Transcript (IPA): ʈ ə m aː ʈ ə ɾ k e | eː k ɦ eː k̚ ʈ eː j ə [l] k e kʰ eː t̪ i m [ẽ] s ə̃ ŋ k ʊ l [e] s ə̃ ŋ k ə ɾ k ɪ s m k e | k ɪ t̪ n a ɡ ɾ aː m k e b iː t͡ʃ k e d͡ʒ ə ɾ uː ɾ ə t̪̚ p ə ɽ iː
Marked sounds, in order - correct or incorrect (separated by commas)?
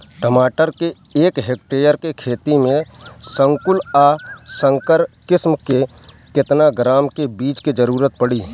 incorrect, correct, incorrect